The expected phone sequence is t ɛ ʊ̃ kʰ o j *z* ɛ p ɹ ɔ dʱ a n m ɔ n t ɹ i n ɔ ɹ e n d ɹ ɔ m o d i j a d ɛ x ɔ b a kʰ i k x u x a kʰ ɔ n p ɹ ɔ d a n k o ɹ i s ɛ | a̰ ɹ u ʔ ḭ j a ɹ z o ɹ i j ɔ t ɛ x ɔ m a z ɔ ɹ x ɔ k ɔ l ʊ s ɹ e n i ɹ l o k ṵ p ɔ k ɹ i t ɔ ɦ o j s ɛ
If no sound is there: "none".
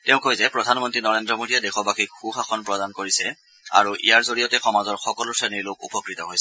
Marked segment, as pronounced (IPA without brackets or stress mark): z